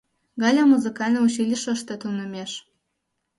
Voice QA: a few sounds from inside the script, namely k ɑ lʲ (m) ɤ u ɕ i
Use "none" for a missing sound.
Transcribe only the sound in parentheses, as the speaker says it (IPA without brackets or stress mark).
n